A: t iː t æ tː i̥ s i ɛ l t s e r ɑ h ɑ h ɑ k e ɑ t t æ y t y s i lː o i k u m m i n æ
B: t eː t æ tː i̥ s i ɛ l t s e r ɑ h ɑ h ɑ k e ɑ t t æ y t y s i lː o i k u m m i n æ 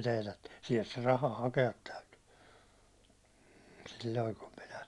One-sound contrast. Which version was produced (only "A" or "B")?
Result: B